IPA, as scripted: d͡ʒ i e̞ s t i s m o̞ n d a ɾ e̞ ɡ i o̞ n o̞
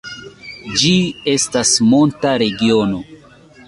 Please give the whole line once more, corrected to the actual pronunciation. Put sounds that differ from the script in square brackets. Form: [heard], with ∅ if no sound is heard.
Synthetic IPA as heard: d͡ʒ i e̞ s t [a] s m o̞ n [t] a ɾ e̞ ɡ i o̞ n o̞